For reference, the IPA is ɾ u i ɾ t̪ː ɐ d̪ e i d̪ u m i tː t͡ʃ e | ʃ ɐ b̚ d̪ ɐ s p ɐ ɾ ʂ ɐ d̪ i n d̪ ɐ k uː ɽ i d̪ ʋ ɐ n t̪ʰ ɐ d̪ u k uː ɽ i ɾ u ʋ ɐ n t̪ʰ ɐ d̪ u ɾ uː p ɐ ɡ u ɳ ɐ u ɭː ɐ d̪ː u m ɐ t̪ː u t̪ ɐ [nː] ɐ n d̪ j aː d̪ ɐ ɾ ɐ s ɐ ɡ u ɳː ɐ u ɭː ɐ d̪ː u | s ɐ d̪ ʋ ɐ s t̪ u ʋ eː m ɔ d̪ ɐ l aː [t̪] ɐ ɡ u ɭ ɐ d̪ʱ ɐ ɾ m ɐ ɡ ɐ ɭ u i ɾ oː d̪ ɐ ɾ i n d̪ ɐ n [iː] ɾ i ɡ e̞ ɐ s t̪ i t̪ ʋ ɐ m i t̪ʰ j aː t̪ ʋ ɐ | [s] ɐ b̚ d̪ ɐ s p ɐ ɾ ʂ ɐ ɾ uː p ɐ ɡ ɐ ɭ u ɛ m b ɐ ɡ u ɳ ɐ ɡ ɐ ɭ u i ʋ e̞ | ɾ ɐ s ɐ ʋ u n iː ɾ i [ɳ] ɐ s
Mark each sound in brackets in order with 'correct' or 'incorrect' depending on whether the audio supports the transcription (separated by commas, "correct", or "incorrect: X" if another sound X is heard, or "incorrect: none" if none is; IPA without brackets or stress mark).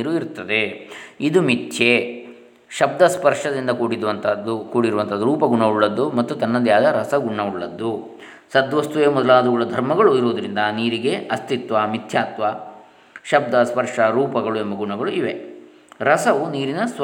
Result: correct, incorrect: d̪, correct, incorrect: ʃ, incorrect: n